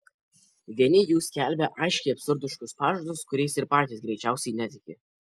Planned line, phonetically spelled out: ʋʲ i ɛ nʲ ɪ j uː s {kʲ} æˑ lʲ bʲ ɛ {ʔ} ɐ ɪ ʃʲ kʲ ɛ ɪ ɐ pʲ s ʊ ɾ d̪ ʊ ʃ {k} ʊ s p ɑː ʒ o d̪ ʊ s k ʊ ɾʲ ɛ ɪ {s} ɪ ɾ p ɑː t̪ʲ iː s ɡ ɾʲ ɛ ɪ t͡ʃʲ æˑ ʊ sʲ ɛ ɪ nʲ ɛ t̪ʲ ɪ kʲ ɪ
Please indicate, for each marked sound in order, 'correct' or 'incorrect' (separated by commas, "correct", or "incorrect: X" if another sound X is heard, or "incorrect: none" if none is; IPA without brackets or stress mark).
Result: correct, correct, correct, correct